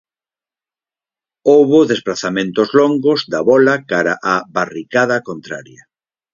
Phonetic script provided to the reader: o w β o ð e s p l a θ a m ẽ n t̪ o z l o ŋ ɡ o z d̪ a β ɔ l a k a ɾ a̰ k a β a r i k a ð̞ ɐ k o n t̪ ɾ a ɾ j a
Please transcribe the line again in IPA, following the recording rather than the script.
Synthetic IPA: o w β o ð e s p l a θ a m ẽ n t̪ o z l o ŋ ɡ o z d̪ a β ɔ l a k a ɾ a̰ ʔ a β a r i k a ð̞ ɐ k o n t̪ ɾ a ɾ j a